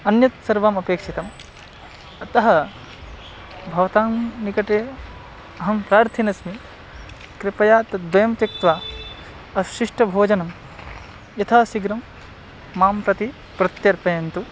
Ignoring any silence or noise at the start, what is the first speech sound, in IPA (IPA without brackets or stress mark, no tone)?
ɐ